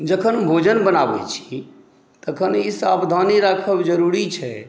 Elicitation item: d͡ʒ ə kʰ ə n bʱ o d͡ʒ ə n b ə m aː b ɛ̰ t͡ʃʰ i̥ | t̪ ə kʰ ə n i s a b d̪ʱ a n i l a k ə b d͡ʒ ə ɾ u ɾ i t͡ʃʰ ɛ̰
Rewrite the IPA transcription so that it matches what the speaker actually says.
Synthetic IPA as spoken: d͡ʒ ə kʰ ə n bʱ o d͡ʒ ə n b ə n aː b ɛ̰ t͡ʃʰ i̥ | t̪ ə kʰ ə n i s a b d̪ʱ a n i ɾ a kʰ ə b d͡ʒ ə ɾ u ɾ i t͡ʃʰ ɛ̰